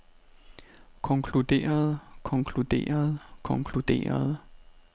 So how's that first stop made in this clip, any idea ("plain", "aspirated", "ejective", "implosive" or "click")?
aspirated